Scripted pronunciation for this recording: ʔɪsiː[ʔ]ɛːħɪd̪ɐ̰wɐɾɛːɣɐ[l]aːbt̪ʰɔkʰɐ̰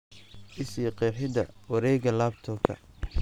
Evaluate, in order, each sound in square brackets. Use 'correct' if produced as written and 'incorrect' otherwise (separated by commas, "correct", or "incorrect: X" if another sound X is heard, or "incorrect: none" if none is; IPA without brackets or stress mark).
incorrect: q, correct